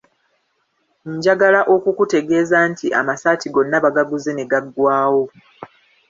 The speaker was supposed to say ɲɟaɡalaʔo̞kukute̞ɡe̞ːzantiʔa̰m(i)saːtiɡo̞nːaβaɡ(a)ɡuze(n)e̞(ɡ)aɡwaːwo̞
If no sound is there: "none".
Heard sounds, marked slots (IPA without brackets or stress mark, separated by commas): a, a, n, ɡ